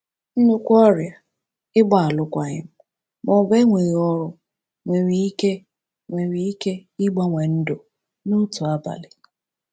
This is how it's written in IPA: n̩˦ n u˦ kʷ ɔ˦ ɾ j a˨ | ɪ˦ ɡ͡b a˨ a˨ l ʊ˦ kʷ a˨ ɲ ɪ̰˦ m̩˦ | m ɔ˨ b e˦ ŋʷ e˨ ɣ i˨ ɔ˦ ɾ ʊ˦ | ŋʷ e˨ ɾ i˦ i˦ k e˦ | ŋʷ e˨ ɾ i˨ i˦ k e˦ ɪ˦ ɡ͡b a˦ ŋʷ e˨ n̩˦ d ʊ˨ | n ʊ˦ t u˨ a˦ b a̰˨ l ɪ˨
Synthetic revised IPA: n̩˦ n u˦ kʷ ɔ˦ ɾ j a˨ | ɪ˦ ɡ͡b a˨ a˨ l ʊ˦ kʷ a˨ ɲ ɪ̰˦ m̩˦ | m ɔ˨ b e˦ ŋʷ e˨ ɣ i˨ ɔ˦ ɾ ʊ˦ | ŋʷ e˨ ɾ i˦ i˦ k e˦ | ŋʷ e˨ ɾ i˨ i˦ k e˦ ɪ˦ ɡ͡b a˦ ŋʷ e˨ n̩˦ d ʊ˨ | n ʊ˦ t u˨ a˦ b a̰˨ l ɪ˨